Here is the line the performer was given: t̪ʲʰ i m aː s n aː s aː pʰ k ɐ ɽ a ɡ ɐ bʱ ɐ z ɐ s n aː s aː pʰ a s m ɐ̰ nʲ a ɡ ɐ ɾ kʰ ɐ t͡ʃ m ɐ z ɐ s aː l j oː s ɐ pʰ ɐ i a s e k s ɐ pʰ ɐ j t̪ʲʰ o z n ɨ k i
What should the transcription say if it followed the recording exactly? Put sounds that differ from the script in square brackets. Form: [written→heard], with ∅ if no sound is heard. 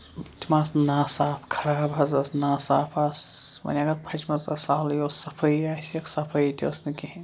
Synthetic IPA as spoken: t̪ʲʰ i m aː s n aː s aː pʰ [k→kʰ] ɐ [ɽ→ɾ] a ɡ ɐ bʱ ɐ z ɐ s n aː s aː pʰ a s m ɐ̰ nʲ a ɡ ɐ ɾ [kʰ→pʰ] ɐ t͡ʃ m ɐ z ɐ s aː l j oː s ɐ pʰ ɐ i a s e k s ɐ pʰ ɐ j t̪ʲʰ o [z→s] n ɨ k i

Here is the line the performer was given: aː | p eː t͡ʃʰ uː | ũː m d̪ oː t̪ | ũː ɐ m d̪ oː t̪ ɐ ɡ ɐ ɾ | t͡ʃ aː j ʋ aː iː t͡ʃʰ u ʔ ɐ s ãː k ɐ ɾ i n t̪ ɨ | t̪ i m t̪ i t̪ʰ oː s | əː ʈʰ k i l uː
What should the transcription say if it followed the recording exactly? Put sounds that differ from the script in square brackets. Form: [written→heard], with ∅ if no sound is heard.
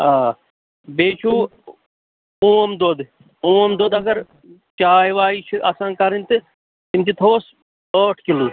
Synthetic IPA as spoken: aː | [p→b] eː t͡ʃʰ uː | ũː m d̪ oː [t̪→d̪] | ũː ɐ m d̪ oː [t̪→d̪] ɐ ɡ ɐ ɾ | t͡ʃ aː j ʋ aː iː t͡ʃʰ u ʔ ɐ s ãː k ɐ ɾ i n t̪ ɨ | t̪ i m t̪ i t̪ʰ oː s | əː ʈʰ k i l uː

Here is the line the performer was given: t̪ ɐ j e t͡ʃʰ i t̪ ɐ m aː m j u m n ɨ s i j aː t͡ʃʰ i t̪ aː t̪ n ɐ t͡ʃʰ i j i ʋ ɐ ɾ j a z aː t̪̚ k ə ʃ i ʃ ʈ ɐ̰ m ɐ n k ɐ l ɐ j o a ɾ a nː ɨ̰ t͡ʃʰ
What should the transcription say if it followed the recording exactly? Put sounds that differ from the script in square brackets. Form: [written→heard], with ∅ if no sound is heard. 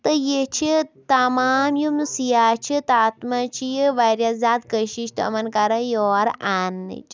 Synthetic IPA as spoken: t̪ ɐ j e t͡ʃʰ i t̪ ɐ m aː m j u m n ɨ s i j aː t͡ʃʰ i t̪ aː t̪ [n→m] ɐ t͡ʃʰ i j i ʋ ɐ ɾ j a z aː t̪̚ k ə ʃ i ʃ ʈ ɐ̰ m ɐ n k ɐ [l→ɾ] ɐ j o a ɾ a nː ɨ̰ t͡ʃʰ

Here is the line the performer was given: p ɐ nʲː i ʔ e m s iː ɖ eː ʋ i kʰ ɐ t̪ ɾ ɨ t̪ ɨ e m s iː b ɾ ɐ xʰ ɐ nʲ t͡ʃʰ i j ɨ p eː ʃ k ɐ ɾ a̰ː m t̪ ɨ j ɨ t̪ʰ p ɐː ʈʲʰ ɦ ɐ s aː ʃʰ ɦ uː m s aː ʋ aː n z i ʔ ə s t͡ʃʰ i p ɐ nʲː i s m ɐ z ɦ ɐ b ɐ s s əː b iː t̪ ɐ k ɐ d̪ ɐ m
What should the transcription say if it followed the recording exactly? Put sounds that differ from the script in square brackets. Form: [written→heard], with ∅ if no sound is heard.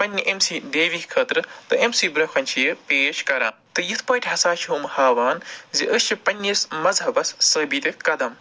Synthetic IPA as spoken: p ɐ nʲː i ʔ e m s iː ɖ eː ʋ i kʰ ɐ t̪ ɾ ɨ t̪ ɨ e m s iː b ɾ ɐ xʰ ɐ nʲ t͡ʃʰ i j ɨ p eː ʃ k ɐ ɾ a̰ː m t̪ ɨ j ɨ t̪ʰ p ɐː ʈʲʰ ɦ ɐ s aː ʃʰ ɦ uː m [s→h] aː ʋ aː n z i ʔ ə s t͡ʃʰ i p ɐ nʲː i s m ɐ z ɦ ɐ b ɐ s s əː b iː t̪ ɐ k ɐ d̪ ɐ m

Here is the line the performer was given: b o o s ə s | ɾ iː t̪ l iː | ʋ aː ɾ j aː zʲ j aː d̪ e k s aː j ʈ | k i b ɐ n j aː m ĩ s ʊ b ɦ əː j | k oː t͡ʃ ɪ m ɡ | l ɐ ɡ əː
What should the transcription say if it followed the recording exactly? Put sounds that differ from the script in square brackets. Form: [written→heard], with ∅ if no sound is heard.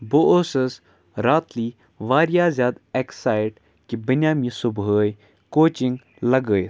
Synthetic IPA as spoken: b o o s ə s | ɾ [iː→aː] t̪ l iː | ʋ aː ɾ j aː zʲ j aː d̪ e k s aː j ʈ | k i b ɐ n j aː m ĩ s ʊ b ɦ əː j | k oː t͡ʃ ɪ [m→ŋ] ɡ | l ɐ ɡ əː

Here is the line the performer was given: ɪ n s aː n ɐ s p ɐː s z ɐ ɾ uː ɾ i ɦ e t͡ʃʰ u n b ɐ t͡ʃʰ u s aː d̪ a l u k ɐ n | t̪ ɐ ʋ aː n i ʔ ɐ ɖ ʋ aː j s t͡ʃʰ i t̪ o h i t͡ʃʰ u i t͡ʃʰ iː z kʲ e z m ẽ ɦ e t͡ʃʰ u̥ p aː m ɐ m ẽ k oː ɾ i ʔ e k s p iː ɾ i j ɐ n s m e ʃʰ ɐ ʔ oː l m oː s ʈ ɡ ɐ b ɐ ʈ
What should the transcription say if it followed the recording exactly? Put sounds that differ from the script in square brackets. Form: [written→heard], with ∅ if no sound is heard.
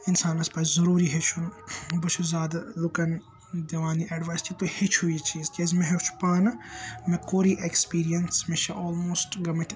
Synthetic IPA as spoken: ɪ n s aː n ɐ s p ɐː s z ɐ ɾ uː ɾ i ɦ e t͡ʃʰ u n b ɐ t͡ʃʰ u [s→z] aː d̪ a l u k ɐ n | [t̪→d̪] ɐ ʋ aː n i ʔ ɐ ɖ ʋ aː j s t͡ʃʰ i t̪ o h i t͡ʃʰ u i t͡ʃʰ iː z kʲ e z m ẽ ɦ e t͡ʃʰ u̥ p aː [m→n] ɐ m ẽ k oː ɾ i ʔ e k s p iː ɾ i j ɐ n s m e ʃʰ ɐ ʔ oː l m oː s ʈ ɡ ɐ [b→m] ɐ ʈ

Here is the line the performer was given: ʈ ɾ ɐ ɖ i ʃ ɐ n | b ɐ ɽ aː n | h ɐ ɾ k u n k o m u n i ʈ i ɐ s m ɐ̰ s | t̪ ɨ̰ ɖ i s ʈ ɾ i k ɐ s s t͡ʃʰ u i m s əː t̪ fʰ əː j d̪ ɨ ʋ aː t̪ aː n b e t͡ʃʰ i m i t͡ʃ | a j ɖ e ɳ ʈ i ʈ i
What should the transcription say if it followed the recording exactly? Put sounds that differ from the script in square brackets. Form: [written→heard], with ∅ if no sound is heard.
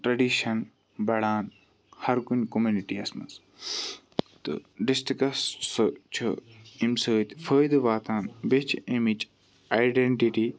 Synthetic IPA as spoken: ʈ ɾ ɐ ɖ i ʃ ɐ n | b ɐ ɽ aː n | h ɐ ɾ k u n k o m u n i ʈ i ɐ s m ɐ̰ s | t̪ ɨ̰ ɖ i s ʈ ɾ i k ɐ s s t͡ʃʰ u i m s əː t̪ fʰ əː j d̪ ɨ ʋ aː t̪ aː n b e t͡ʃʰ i m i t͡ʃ | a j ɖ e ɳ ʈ i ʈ i

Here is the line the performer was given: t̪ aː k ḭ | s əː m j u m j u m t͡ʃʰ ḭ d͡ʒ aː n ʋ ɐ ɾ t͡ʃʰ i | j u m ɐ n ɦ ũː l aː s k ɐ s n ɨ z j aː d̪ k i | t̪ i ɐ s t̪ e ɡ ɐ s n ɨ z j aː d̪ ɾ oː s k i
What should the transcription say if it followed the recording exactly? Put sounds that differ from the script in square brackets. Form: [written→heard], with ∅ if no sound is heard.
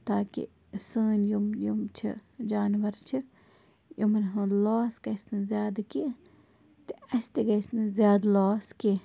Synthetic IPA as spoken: t̪ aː k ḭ | s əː [m→n] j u m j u m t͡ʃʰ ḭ d͡ʒ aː n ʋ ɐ ɾ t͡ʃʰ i | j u m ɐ n ɦ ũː l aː s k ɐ s n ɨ z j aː d̪ k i | t̪ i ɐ s t̪ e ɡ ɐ s n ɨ z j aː d̪ [ɾ→l] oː s k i

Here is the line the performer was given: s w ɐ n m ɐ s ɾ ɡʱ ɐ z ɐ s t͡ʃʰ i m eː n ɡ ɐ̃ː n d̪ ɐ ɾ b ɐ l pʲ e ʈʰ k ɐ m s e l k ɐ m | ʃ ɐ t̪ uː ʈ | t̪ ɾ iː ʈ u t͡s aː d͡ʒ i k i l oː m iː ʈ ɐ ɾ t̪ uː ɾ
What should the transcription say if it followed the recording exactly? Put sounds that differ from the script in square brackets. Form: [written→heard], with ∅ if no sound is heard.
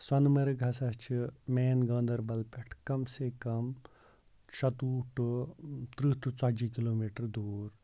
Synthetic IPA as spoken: s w ɐ n m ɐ [s→∅] ɾ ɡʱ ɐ [z→s] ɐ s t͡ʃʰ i m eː n ɡ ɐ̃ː n d̪ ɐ ɾ b ɐ l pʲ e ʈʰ k ɐ m s e [l→∅] k ɐ m | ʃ ɐ t̪ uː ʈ | t̪ ɾ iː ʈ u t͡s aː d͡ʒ i k i l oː m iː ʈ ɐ ɾ [t̪→d̪] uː ɾ

